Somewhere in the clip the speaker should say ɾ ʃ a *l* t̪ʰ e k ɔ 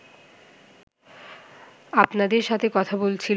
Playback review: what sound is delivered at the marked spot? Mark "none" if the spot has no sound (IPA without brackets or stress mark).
none